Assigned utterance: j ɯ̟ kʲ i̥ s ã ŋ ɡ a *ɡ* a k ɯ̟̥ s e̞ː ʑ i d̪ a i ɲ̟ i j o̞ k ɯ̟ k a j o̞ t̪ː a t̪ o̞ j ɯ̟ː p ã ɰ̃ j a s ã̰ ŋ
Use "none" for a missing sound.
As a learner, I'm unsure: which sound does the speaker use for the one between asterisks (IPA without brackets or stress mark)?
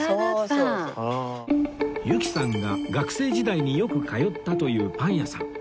ɡ